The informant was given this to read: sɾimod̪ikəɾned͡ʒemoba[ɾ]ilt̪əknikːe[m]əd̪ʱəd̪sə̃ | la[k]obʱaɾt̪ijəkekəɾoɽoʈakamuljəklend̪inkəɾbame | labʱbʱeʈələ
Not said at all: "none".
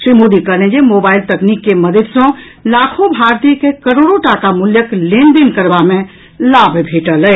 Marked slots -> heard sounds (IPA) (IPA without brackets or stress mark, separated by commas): none, m, kʰ